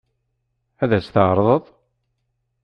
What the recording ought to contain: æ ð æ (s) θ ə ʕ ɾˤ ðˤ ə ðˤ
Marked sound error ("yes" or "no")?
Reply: no